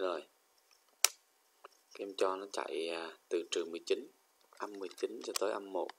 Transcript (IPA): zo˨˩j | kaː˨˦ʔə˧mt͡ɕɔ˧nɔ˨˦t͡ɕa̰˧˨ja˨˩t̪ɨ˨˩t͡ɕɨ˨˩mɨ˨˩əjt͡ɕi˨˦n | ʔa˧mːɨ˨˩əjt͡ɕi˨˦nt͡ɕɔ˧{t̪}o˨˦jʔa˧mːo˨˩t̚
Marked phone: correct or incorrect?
correct